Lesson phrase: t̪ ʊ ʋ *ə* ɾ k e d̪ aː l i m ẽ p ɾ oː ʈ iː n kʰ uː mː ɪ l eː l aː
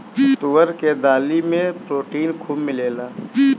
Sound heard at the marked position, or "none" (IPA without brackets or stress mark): ə